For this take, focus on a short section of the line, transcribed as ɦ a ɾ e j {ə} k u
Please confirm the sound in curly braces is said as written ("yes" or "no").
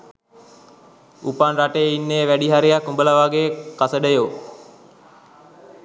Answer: no